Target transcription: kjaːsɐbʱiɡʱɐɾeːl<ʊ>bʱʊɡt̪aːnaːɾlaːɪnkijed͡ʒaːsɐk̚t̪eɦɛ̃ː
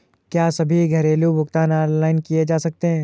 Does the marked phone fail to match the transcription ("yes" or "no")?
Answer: yes